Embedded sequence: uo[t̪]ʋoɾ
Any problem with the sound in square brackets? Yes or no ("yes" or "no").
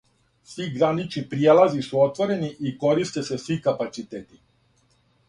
no